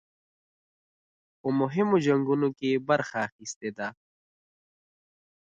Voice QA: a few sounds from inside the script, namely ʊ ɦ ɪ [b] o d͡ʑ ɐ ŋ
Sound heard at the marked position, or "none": m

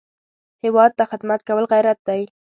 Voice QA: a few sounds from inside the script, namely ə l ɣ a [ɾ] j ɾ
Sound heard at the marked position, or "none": none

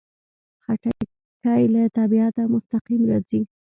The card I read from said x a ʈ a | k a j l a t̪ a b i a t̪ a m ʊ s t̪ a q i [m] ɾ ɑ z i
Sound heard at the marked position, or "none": m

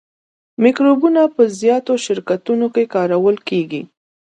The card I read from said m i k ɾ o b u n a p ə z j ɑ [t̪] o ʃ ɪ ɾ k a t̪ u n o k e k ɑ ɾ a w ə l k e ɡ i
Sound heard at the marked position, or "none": t̪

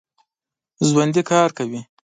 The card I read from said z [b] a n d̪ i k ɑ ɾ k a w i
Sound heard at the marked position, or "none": w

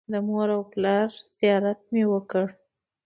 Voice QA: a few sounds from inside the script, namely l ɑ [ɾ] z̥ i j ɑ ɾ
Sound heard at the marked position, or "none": ɾ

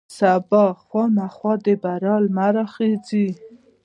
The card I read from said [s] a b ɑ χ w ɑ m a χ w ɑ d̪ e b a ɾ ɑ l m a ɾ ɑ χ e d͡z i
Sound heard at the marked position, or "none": s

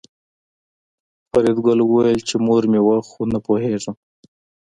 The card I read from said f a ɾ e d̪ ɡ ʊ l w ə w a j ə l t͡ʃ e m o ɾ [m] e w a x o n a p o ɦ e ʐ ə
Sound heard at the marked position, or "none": m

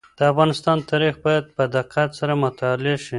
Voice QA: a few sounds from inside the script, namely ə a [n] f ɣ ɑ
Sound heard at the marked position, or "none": none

